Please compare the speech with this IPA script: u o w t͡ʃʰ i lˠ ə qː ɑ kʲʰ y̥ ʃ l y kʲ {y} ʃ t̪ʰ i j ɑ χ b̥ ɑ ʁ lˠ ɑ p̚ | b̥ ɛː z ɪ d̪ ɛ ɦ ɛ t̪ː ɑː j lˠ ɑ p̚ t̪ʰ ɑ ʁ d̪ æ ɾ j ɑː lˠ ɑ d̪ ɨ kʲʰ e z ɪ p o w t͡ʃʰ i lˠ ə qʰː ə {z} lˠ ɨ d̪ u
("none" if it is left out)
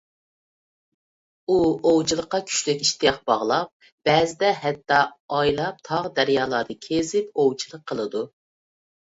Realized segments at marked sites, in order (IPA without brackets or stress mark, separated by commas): i, none